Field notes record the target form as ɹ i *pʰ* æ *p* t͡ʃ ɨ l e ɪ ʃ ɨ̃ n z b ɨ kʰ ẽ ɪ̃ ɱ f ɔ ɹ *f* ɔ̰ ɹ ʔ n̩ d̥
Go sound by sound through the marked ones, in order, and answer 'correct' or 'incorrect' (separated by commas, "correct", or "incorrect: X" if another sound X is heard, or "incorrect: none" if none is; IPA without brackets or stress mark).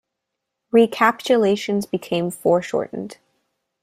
incorrect: kʰ, correct, incorrect: ʃ